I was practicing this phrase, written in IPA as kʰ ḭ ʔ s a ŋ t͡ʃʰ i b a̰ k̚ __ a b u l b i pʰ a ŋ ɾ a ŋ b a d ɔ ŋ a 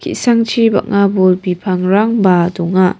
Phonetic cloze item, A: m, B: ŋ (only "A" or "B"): B